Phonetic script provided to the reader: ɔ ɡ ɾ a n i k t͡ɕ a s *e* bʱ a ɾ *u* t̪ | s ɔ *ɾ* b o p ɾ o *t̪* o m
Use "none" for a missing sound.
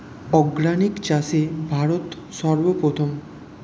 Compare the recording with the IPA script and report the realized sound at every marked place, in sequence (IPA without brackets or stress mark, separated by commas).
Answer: e, o, ɾ, t̪ʰ